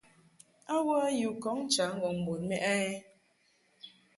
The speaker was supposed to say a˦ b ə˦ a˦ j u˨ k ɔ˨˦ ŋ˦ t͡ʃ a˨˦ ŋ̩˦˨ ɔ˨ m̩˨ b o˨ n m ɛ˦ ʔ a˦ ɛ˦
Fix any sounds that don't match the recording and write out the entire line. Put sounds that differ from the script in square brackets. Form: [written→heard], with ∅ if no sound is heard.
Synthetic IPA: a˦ [b→w] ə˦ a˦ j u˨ k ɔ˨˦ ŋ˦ t͡ʃ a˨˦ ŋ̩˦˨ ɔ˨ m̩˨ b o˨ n m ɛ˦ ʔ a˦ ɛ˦